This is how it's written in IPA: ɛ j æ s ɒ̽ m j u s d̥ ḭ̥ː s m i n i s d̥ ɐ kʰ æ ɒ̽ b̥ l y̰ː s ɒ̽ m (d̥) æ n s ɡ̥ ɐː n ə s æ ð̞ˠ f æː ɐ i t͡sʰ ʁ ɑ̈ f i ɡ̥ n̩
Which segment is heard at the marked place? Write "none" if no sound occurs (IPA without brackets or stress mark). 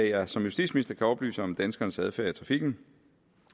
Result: d̥